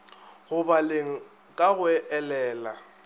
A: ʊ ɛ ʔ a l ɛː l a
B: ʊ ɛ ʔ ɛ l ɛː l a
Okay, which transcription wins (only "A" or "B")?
B